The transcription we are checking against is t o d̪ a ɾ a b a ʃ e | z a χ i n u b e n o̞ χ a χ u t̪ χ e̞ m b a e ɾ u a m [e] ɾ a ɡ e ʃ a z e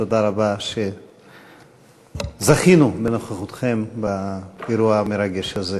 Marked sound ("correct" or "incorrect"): correct